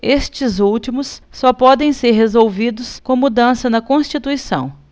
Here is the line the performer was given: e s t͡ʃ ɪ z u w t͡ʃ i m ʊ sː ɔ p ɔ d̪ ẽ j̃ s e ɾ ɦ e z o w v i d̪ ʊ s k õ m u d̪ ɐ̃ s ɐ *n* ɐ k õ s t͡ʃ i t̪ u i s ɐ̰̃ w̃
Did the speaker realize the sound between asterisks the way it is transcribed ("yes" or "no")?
yes